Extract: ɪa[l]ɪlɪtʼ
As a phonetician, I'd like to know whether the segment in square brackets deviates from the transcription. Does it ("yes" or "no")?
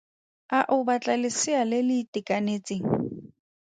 no